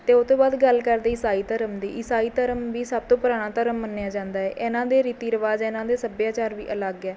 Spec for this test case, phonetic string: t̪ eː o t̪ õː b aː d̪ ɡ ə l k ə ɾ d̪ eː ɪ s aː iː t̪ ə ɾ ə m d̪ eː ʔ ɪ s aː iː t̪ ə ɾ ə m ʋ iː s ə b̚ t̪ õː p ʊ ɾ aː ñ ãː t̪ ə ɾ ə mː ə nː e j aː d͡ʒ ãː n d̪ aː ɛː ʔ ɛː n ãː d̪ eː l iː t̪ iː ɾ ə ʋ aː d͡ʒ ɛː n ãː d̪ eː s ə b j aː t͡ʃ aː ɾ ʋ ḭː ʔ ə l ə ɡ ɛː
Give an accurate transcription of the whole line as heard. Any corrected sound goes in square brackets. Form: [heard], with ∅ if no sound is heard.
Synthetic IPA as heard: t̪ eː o t̪ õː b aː d̪ ɡ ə l k ə ɾ d̪ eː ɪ s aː iː t̪ ə ɾ ə m d̪ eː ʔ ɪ s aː iː t̪ ə ɾ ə m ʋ iː s ə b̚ t̪ õː p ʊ ɾ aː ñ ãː t̪ ə ɾ ə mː ə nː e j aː d͡ʒ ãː n d̪ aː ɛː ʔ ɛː n ãː d̪ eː [ɾ] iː t̪ iː ɾ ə ʋ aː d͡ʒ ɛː n ãː d̪ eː s ə b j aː t͡ʃ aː ɾ ʋ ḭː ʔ ə l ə ɡ ɛː

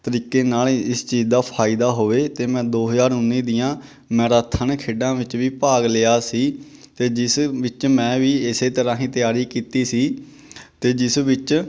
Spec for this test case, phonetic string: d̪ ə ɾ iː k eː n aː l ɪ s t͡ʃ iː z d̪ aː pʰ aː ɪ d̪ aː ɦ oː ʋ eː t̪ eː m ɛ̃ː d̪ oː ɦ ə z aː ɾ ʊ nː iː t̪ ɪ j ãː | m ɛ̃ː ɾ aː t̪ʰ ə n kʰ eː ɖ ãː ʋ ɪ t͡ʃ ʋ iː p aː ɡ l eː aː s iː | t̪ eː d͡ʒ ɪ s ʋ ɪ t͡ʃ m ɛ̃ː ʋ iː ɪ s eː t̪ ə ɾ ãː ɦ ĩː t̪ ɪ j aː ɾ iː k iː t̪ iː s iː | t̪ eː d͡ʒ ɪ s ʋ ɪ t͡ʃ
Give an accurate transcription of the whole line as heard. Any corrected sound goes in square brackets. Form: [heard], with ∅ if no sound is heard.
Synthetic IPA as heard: [t̪] ə ɾ iː k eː n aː l ɪ s t͡ʃ iː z d̪ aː pʰ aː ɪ d̪ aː ɦ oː ʋ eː t̪ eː m ɛ̃ː d̪ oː ɦ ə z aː ɾ ʊ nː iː [d̪] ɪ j ãː | m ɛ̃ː ɾ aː t̪ʰ ə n kʰ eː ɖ ãː ʋ ɪ t͡ʃ ʋ iː p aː ɡ l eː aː s iː | t̪ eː d͡ʒ ɪ s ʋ ɪ t͡ʃ m ɛ̃ː ʋ iː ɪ s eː t̪ ə ɾ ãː ɦ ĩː t̪ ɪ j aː ɾ iː k iː t̪ iː s iː | t̪ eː d͡ʒ ɪ s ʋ ɪ t͡ʃ

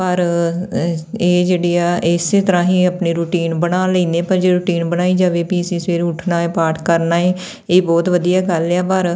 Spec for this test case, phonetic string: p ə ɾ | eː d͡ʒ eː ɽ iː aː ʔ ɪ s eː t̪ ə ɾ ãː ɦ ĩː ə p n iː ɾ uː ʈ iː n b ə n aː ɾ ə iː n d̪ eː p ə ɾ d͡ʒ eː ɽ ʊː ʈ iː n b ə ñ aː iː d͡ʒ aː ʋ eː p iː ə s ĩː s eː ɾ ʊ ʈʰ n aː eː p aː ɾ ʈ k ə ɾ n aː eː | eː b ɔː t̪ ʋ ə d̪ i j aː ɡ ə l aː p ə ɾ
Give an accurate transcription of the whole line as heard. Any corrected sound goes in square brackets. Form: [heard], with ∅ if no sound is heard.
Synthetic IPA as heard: p ə ɾ | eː d͡ʒ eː ɽ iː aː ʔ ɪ s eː t̪ ə ɾ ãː ɦ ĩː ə p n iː ɾ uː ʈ iː n b ə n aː [l] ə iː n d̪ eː p ə ɾ d͡ʒ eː [ɾ] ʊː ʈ iː n b ə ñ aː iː d͡ʒ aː ʋ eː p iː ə s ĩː s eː ɾ ʊ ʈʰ n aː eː p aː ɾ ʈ k ə ɾ n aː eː | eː b ɔː t̪ ʋ ə d̪ i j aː ɡ ə l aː p ə ɾ

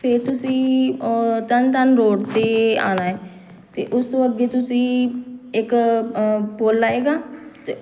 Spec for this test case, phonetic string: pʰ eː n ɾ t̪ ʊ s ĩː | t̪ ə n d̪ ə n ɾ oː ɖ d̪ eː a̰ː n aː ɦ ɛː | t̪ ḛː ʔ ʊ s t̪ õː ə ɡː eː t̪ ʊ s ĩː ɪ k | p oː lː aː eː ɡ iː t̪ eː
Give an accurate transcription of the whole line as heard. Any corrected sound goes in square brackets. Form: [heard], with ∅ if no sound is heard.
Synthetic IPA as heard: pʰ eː [∅] ɾ t̪ ʊ s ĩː | t̪ ə n [t̪] ə n ɾ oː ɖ [t̪] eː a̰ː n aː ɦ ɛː | t̪ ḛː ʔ ʊ s t̪ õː ə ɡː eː t̪ ʊ s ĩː ɪ k | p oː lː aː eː ɡ [aː] t̪ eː

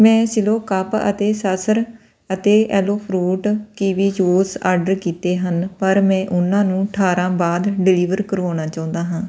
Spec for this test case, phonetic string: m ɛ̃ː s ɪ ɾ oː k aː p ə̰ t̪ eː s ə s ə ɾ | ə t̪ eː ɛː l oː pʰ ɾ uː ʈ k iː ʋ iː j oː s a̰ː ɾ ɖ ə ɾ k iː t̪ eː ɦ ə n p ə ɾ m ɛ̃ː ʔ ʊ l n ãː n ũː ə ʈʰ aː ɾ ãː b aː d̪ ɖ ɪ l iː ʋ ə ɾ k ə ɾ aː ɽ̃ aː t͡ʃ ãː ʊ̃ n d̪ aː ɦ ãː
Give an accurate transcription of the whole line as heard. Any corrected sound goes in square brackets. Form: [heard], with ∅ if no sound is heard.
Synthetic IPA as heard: m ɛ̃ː s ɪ [l] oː k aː p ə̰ t̪ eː s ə s ə ɾ | ə t̪ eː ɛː l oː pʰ ɾ uː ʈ k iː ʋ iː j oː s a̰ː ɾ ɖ ə ɾ k iː t̪ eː ɦ ə n p ə ɾ m ɛ̃ː ʔ ʊ [∅] n ãː n ũː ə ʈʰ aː ɾ ãː b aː d̪ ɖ ɪ l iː ʋ ə ɾ k ə ɾ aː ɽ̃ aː t͡ʃ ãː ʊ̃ n d̪ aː ɦ ãː

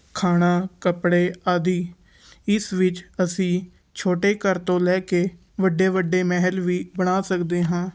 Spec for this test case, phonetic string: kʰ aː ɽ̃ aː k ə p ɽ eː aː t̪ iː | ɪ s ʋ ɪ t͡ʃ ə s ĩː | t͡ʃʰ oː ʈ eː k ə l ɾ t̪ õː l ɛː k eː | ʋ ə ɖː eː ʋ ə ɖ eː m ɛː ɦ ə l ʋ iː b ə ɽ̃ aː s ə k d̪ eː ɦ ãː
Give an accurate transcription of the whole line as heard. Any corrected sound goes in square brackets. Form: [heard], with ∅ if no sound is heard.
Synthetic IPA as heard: kʰ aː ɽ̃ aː k ə p ɽ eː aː [d̪] iː | ɪ s ʋ ɪ t͡ʃ ə s ĩː | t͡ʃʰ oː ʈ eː k ə [∅] ɾ t̪ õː l ɛː k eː | ʋ ə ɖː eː ʋ ə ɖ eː m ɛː ɦ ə l ʋ iː b ə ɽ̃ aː s ə k d̪ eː ɦ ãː

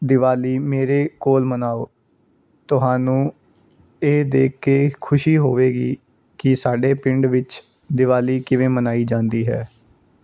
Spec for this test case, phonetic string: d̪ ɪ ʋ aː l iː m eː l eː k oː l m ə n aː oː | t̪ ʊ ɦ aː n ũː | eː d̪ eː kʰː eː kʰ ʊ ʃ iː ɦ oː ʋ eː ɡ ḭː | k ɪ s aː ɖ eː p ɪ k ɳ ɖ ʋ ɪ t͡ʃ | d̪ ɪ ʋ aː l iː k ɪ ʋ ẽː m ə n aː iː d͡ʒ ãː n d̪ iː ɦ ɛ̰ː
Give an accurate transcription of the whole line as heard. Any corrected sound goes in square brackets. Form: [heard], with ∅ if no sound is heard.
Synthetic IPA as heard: d̪ ɪ ʋ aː l iː m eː [ɾ] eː k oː l m ə n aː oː | t̪ ʊ ɦ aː n ũː | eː d̪ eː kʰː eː kʰ ʊ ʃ iː ɦ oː ʋ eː ɡ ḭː | k ɪ s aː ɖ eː p ɪ [∅] ɳ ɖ ʋ ɪ t͡ʃ | d̪ ɪ ʋ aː l iː k ɪ ʋ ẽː m ə n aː iː d͡ʒ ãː n d̪ iː ɦ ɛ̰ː

